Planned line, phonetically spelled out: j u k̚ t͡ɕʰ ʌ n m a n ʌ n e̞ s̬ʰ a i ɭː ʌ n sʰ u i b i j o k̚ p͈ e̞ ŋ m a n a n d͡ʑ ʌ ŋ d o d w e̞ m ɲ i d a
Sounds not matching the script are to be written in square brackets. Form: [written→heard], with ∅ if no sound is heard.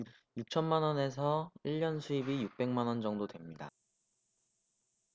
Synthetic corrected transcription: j u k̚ t͡ɕʰ ʌ n m a n ʌ n e̞ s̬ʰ [a→ʌ] i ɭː ʌ n sʰ u i b i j [o→u] k̚ p͈ e̞ ŋ m a n [a→ʌ] n d͡ʑ ʌ ŋ d o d w e̞ m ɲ i d a